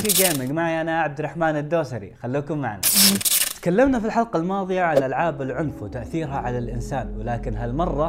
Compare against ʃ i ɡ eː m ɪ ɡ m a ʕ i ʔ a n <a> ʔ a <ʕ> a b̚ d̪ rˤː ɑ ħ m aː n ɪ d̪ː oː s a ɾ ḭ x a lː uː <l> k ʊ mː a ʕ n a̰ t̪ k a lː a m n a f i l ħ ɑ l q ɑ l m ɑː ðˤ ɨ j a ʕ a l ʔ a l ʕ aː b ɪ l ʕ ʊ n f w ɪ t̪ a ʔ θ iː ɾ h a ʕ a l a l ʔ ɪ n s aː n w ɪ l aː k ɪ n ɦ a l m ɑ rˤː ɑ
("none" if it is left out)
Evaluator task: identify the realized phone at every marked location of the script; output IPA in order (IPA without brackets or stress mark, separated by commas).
a, ʕ, none